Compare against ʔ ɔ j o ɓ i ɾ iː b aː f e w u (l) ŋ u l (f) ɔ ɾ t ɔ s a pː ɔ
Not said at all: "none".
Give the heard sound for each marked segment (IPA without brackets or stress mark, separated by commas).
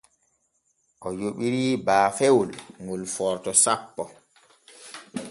l, f